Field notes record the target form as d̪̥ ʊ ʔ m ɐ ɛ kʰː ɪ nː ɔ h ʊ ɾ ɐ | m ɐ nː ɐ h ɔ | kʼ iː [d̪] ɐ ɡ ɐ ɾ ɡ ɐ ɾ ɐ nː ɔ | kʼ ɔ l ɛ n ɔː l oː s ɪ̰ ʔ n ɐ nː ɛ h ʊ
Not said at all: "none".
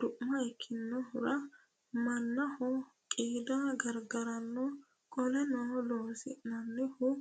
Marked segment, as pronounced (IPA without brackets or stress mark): d̪